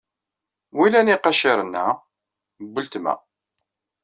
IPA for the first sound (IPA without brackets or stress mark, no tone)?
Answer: w